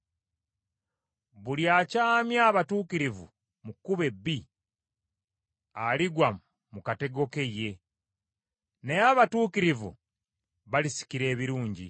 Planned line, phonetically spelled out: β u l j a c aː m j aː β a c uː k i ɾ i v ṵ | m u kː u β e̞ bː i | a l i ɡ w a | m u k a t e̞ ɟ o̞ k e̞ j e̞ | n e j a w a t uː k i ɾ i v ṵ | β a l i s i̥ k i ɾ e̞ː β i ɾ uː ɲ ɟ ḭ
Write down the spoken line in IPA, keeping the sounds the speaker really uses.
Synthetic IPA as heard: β u l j a c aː m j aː β a t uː k i ɾ i v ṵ | m u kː u β e̞ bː i | a l i ɡ w a | m u k a t e̞ ɡ o̞ k e̞ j e̞ | n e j a β a t uː k i ɾ i v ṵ | β a l i s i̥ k i ɾ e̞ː β i ɾ uː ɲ ɟ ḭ